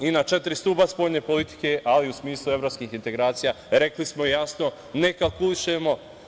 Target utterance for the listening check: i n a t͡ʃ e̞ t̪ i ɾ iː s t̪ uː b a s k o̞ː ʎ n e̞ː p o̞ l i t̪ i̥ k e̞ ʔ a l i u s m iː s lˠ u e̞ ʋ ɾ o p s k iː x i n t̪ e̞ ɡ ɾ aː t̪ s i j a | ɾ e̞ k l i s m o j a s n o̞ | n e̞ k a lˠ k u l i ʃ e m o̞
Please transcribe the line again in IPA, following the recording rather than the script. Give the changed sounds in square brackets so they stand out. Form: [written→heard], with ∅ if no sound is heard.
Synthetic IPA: i n a t͡ʃ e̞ t̪ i ɾ [iː→i] s t̪ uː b a s [k→p] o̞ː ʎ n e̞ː p o̞ l i t̪ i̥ k e̞ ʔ a l i u s m iː s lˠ u e̞ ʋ ɾ o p s k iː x i n t̪ e̞ ɡ ɾ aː t̪ s i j a | ɾ e̞ k l i s m o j a s n o̞ | n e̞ k a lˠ k u l i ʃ e m o̞